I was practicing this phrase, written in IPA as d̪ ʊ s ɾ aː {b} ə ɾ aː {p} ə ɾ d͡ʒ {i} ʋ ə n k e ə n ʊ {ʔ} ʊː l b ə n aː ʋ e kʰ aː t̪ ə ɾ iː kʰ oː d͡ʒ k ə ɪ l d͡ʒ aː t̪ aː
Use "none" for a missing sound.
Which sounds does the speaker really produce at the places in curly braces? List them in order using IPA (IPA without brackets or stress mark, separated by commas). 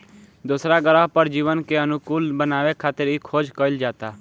ɡ, p, iː, k